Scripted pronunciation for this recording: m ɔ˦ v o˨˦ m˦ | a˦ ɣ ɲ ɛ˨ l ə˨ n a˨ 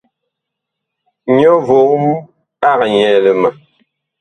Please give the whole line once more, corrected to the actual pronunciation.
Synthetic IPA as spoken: ɲ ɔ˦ v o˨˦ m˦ | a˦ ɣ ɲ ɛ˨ l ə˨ m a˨

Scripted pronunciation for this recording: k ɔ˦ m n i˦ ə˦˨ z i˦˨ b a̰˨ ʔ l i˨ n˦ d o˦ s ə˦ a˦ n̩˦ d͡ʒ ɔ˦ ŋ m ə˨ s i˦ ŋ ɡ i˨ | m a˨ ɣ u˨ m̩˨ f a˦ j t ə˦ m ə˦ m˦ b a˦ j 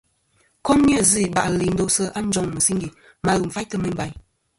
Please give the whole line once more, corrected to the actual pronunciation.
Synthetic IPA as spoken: k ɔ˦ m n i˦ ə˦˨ z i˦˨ b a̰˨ ʔ l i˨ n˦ d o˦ s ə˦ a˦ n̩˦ d͡ʒ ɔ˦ ŋ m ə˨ s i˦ ŋ ɡ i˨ | m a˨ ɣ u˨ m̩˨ f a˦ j t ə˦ m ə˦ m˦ b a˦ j

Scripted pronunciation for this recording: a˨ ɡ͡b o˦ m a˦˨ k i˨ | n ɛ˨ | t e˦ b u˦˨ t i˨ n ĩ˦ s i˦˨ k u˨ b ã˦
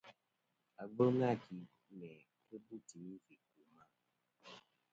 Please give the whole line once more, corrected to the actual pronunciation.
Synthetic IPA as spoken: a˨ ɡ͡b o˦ ŋ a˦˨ k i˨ | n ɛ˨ | k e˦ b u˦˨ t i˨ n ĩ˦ f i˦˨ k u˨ m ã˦

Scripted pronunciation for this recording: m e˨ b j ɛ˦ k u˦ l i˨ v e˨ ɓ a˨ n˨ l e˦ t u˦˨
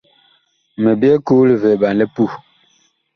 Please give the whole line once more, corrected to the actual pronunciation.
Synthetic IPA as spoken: m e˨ b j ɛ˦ k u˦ l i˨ v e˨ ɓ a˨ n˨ l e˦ p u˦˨

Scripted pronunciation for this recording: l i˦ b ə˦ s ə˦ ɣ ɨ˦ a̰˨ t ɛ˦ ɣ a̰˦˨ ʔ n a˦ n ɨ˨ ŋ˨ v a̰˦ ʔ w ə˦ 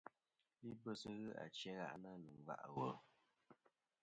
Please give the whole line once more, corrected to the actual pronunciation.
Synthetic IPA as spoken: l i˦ b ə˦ s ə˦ ɣ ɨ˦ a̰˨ t͡ʃ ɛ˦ ɣ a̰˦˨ ʔ n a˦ n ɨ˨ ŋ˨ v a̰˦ ʔ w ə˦

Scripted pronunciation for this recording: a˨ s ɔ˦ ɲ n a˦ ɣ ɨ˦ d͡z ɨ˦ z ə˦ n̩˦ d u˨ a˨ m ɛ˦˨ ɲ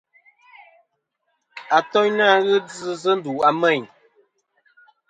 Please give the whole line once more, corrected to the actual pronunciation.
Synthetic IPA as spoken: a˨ t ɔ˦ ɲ n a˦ ɣ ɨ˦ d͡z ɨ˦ z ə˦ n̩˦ d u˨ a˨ m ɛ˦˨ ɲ

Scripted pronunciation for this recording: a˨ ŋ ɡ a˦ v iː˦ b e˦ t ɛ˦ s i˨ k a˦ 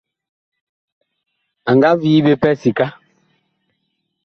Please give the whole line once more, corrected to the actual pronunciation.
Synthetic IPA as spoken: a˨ ŋ ɡ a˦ v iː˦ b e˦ p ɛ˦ s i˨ k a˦

